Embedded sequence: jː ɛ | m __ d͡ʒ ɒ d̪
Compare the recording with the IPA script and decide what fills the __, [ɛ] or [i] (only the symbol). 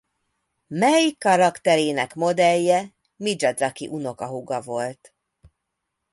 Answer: i